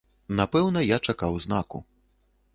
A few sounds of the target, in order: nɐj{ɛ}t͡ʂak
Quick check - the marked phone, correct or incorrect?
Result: incorrect